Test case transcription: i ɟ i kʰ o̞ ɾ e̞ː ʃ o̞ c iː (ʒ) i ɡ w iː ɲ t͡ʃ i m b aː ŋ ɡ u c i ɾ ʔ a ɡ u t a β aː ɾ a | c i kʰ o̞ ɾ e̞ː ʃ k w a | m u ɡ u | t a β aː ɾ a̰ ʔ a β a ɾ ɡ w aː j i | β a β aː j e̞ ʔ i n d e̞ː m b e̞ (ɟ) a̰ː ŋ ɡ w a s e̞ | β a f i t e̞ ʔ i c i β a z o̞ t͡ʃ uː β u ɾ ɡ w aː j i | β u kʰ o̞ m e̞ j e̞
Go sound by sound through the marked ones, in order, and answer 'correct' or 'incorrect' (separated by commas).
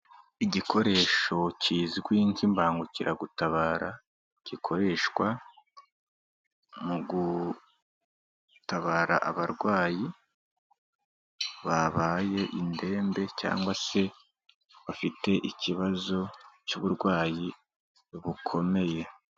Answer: incorrect, incorrect